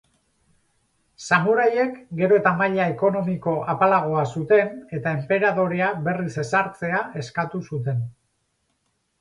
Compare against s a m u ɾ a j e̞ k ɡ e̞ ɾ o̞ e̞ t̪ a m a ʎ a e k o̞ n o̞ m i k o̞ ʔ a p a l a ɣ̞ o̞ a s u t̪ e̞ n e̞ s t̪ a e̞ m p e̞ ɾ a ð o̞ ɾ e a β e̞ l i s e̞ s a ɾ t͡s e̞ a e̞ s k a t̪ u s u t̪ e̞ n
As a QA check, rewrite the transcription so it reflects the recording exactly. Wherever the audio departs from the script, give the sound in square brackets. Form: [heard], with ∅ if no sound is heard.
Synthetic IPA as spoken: s a m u ɾ a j e̞ k ɡ e̞ ɾ o̞ e̞ t̪ a m a ʎ a e k o̞ n o̞ m i k o̞ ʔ a p a l a ɣ̞ o̞ a s u t̪ e̞ n e̞ [∅] t̪ a e̞ m p e̞ ɾ a ð o̞ ɾ e a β e̞ [r] i s e̞ s a ɾ t͡s e̞ a e̞ s k a t̪ u s u t̪ e̞ n